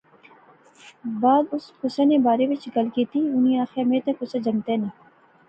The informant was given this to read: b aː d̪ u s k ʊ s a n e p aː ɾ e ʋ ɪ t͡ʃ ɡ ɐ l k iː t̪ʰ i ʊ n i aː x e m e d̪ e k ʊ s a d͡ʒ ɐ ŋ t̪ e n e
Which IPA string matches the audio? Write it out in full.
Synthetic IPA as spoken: b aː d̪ ʊ s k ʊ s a n e b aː ɾ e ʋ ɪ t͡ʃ ɡ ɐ l k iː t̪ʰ i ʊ n i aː x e m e t̪ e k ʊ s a d͡ʒ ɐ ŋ t̪ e n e

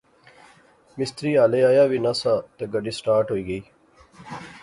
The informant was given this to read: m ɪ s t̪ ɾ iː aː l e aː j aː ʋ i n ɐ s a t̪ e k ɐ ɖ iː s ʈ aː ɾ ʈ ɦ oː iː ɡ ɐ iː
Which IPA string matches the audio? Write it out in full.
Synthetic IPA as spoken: m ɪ s t̪ ɾ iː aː l e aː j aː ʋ i n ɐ s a t̪ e ɡ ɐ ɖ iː s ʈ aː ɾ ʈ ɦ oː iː ɡ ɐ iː

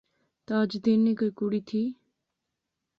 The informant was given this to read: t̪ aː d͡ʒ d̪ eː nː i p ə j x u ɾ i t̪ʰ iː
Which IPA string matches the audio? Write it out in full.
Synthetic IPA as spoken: t̪ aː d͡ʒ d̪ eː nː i k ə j k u ɽ i t̪ʰ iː

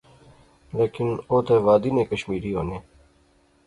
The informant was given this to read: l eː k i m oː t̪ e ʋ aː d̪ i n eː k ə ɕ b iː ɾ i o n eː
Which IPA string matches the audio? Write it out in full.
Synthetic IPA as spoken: l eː k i n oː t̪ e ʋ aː d̪ i n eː k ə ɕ m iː ɾ i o n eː

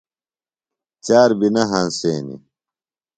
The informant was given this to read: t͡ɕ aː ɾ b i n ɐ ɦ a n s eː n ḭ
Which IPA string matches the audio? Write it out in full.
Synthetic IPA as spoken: t͡ɕ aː ɾ b i n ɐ ɦ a n s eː n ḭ

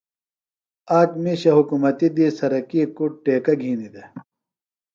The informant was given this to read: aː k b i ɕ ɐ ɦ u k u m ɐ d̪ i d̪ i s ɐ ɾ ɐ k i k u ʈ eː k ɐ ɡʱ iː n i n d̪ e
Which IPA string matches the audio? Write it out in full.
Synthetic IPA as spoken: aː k m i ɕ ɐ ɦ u k u m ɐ t̪ i d̪ i s ɐ ɾ ɐ k i k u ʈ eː k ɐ ɡʱ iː n i d̪ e

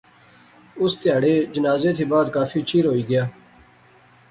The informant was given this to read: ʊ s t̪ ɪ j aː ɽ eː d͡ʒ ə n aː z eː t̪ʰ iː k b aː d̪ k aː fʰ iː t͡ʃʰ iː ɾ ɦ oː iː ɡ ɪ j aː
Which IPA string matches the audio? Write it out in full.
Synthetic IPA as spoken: ʊ s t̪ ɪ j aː ɽ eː d͡ʒ ə n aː z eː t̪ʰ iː b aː d̪ k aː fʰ iː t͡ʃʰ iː ɾ ɦ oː iː ɡ ɪ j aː

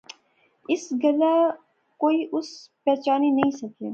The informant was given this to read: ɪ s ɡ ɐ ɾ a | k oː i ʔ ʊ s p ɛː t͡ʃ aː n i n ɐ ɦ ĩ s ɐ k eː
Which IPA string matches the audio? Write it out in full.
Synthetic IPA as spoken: ɪ s ɡ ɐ l a | k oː i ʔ ʊ s p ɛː t͡ʃ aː n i n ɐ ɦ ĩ s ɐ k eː

